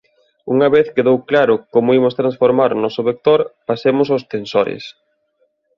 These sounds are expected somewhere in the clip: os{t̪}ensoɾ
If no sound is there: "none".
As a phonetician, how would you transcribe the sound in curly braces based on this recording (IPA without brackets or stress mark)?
t̪